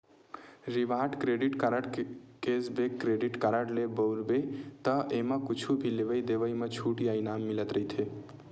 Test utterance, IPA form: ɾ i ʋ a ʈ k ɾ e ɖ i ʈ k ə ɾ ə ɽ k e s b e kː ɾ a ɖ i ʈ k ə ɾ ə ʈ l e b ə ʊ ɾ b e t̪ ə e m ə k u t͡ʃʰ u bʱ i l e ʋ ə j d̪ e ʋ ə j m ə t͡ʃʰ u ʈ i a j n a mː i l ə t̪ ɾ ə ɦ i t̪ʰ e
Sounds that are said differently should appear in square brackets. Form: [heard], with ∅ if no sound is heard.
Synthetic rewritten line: ɾ i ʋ a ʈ k ɾ e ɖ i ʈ k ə ɾ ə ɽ k e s b e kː ɾ [e] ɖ i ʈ k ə ɾ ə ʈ l e b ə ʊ ɾ b e t̪ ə e m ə k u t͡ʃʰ u bʱ i l e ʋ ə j d̪ e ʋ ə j m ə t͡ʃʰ u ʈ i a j n a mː i l ə t̪ ɾ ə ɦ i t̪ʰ e